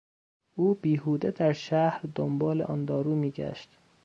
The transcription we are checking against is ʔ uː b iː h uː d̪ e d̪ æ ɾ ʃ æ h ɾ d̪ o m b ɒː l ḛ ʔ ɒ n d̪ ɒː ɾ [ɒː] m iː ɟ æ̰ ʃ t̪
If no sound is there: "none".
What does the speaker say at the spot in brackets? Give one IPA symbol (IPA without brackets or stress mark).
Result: uː